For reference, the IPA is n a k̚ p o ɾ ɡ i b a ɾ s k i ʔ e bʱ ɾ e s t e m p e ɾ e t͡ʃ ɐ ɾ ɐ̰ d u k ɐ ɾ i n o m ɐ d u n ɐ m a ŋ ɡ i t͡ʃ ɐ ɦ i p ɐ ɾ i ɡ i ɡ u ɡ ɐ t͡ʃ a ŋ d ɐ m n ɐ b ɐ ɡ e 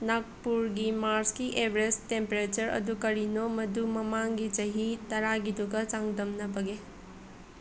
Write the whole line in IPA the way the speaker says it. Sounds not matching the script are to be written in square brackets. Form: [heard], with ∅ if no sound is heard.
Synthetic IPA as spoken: n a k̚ p [u] ɾ ɡ i [m] a ɾ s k i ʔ e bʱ ɾ e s t e m p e ɾ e t͡ʃ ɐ ɾ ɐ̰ d u k ɐ ɾ i n o m ɐ d u [m] ɐ m a ŋ ɡ i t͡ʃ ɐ ɦ i [t] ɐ ɾ [a] ɡ i [d] u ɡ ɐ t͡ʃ a ŋ d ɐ m n ɐ b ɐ ɡ e